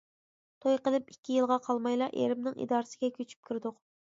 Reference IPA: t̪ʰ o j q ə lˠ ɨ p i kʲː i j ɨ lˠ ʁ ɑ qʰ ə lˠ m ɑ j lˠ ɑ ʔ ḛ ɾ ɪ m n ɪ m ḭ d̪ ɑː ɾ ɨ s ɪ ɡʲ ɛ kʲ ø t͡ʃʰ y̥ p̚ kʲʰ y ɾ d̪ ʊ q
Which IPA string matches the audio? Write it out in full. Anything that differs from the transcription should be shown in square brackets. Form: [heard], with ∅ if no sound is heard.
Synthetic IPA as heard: t̪ʰ o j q ə lˠ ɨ p i kʲː i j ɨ lˠ ʁ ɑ qʰ [ɑ] lˠ m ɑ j lˠ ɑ ʔ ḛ ɾ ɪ m n ɪ [ŋ] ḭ d̪ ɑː ɾ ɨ s ɪ ɡʲ ɛ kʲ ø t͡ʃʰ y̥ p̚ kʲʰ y ɾ d̪ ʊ q